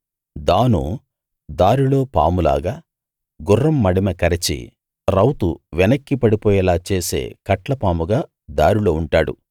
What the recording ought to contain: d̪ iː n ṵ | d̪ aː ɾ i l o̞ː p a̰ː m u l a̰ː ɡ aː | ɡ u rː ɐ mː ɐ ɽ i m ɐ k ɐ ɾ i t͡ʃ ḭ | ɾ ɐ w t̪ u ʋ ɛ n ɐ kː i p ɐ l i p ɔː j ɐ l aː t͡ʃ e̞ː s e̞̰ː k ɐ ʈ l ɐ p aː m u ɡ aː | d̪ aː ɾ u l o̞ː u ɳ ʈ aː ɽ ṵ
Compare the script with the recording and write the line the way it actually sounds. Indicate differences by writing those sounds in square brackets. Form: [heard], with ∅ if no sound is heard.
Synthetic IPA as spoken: d̪ [aː] n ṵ | d̪ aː ɾ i l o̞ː p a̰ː m u l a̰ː ɡ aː | ɡ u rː ɐ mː ɐ ɽ i m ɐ k ɐ ɾ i t͡ʃ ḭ | ɾ ɐ w t̪ u ʋ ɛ n ɐ kː i p ɐ [ɽ] i p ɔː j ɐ l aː t͡ʃ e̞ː s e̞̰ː k ɐ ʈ l ɐ p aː m u ɡ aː | d̪ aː ɾ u l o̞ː u ɳ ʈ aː ɽ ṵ